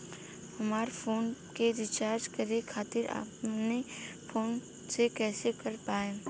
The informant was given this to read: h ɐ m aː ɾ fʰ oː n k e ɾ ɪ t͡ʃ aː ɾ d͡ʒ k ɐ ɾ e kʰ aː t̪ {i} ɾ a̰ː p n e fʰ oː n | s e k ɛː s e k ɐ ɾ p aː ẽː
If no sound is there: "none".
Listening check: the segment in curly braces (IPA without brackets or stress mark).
ɪ